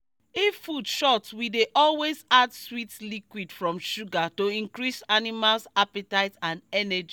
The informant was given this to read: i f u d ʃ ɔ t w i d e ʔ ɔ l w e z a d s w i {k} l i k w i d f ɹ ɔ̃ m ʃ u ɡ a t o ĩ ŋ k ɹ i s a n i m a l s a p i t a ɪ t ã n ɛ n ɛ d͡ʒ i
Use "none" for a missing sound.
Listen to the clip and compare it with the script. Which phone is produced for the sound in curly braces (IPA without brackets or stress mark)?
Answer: t